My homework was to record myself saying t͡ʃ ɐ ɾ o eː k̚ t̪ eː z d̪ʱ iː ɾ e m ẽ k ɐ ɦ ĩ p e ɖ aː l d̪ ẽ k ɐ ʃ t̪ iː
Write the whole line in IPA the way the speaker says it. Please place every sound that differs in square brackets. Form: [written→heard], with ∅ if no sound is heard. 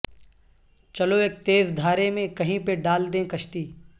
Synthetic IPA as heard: t͡ʃ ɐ [ɾ→l] o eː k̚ t̪ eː z d̪ʱ [iː→aː] ɾ e m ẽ k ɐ ɦ ĩ p e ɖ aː l d̪ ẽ k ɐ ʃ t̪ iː